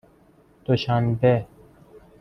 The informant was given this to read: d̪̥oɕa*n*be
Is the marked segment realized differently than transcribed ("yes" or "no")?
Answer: no